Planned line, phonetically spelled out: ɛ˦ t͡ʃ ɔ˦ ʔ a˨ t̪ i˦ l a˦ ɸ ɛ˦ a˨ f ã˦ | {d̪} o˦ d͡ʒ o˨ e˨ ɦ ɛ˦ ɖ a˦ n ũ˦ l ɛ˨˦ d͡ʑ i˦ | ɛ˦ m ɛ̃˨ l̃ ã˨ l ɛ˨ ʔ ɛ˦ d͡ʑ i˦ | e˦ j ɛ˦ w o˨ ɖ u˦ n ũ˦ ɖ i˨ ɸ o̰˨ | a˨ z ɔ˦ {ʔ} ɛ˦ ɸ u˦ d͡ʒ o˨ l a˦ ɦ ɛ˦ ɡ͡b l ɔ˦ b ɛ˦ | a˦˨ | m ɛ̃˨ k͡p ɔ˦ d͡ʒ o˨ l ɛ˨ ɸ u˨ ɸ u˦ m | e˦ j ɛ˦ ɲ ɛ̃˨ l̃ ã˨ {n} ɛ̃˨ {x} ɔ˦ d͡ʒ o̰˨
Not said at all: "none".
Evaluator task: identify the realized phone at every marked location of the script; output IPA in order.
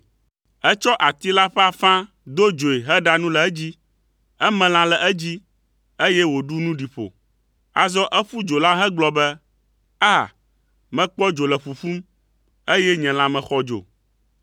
d̪, ʔ, m, x

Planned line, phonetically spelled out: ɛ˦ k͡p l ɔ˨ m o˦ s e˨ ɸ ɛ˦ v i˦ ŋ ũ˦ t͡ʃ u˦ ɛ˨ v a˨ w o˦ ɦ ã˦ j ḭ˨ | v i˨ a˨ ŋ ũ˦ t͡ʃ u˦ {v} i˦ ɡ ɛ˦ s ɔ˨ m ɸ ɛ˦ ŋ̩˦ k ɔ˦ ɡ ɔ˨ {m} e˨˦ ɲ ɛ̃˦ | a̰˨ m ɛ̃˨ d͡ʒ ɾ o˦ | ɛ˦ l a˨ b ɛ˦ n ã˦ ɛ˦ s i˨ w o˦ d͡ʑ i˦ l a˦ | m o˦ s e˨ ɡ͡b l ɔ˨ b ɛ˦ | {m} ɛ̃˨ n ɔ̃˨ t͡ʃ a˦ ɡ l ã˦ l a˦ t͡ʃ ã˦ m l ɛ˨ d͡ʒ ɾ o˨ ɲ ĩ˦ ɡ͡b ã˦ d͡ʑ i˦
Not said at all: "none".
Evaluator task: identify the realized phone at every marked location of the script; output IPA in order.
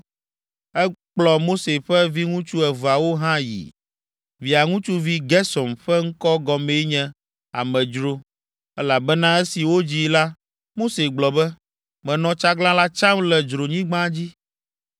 v, m, m

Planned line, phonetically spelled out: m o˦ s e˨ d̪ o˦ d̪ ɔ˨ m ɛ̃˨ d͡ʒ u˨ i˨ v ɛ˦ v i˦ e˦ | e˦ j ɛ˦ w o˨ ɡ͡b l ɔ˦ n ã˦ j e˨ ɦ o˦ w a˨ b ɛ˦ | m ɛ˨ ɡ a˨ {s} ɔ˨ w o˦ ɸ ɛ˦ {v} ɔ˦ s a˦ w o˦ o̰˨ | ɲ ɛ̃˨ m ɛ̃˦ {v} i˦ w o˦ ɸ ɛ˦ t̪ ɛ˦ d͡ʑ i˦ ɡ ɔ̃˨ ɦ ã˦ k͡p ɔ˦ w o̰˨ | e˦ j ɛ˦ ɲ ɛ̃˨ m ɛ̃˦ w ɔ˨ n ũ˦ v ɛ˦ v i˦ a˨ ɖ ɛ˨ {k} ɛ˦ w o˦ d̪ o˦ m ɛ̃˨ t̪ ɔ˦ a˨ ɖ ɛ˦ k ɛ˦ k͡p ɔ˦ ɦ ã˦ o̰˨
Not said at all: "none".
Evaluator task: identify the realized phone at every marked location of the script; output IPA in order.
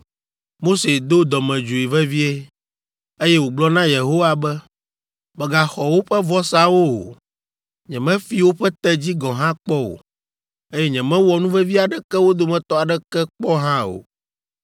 x, v, f, k

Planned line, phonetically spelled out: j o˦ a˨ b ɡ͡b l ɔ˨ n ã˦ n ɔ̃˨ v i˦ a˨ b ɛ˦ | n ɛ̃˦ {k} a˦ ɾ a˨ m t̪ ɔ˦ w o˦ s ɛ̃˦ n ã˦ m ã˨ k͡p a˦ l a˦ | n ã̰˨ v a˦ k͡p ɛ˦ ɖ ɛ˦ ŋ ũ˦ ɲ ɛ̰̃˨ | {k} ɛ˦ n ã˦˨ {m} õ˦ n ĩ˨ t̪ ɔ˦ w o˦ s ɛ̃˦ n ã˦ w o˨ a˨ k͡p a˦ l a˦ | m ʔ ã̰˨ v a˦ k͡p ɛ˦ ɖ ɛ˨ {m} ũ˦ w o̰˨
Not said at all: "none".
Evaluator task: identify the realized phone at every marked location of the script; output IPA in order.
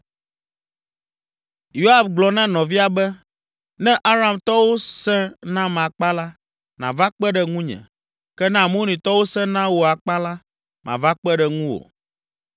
ʔ, k, m, ŋ

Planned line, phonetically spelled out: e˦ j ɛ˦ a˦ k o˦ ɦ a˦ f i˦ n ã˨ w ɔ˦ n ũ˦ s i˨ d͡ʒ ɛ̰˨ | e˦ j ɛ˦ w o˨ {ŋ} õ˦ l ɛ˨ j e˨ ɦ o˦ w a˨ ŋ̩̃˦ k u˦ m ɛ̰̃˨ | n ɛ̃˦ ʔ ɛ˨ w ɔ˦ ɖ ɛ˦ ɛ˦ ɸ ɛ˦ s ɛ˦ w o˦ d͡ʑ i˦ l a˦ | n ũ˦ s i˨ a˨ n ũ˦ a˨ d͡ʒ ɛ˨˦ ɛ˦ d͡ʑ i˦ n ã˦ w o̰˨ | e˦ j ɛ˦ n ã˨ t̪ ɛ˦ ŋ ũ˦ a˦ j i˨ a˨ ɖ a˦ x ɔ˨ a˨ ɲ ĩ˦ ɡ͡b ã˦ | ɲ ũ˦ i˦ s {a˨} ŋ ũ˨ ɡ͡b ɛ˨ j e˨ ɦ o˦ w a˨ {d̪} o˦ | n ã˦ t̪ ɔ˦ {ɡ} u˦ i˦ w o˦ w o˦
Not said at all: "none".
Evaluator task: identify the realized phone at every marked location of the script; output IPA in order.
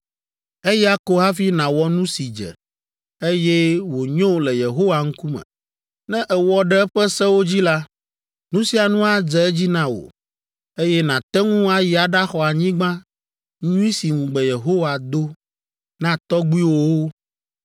ɲ, i˨, d̪, ɡ͡b

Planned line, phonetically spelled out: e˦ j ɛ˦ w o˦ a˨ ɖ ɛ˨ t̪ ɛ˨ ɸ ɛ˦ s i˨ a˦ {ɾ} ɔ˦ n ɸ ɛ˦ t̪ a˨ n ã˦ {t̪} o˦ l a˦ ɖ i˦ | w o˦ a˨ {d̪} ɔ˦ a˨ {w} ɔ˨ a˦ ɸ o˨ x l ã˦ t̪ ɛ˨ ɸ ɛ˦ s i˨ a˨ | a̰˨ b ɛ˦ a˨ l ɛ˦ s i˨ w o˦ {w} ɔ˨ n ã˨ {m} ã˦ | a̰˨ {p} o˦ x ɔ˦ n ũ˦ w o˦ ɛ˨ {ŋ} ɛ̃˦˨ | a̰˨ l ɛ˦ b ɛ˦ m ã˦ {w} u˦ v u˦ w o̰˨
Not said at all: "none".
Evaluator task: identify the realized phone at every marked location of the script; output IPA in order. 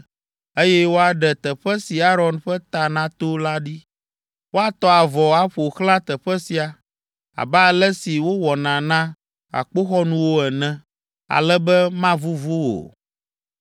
ɾ, t̪, t̪, v, w, n, k͡p, n, v

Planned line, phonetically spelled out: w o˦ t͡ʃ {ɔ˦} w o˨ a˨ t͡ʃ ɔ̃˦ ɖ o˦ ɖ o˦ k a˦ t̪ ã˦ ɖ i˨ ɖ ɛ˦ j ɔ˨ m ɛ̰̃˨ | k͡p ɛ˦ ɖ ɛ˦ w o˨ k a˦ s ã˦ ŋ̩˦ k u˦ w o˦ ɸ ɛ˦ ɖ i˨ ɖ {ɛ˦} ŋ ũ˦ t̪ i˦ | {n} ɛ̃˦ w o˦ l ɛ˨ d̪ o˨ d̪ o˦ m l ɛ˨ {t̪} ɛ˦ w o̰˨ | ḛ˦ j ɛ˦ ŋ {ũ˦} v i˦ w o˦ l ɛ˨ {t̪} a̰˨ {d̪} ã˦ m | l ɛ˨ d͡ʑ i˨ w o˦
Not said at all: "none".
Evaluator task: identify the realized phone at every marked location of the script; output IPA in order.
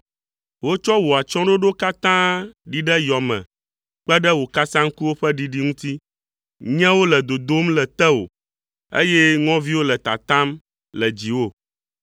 ɔ˦, i˦, ɲ, t̪, ɔ̃˦, t̪, t̪

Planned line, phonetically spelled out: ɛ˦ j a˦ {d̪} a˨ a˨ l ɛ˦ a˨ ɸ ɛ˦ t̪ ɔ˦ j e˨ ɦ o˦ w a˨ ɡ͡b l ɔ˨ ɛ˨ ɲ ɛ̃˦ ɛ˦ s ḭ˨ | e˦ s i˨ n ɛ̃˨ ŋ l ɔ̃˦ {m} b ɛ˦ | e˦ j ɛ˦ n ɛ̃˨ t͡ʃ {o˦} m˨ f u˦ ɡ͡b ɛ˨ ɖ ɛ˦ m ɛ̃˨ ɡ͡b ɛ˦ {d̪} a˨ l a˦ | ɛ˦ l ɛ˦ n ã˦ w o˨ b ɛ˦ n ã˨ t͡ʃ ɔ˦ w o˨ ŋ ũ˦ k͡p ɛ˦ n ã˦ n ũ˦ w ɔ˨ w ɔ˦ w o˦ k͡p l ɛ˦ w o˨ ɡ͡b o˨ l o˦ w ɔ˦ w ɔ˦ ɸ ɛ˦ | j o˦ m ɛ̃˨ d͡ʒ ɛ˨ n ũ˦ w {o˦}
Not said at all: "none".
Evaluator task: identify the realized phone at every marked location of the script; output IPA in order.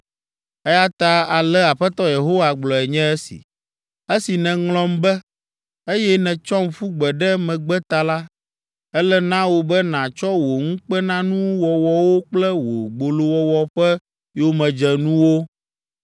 t̪, m, ɔ˦, t̪, o˦

